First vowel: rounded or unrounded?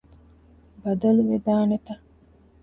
unrounded